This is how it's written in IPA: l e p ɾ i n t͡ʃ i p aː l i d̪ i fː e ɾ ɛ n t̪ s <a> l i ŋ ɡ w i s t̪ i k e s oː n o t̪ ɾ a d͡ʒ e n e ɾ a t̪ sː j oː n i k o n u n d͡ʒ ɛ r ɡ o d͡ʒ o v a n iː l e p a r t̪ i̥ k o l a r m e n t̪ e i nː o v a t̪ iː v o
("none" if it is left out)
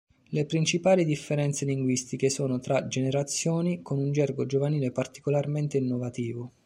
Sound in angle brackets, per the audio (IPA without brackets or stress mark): e